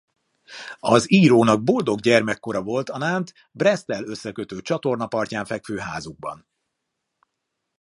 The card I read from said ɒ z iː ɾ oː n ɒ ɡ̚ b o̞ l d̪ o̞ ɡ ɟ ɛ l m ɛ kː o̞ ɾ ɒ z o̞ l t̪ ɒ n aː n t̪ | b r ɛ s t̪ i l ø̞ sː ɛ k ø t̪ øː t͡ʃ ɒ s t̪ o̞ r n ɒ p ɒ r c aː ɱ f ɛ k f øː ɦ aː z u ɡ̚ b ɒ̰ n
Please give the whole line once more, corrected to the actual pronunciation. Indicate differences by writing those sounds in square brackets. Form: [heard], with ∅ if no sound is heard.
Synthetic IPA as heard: ɒ z iː ɾ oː n ɒ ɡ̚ b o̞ l d̪ o̞ ɡ ɟ ɛ [r] m ɛ kː o̞ ɾ ɒ [v] o̞ l t̪ ɒ n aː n t̪ | b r ɛ s t̪ [ɛ] l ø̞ sː ɛ k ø t̪ øː t͡ʃ ɒ [∅] t̪ o̞ r n ɒ p ɒ r c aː ɱ f ɛ k f øː ɦ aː z u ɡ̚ b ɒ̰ n